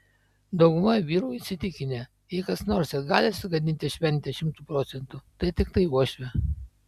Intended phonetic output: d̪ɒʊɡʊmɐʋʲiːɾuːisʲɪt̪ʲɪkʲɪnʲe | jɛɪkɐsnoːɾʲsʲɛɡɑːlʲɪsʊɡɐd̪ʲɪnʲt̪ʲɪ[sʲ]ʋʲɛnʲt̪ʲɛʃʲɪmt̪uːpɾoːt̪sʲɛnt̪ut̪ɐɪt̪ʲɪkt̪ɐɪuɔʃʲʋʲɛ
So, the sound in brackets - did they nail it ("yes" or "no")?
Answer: no